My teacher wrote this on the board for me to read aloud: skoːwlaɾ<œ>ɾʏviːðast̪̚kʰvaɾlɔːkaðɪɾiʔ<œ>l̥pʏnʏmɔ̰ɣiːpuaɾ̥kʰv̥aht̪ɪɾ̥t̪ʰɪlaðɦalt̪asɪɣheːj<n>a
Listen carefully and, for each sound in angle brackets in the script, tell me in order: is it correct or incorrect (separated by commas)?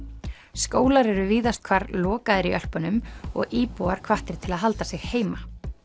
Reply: incorrect, correct, incorrect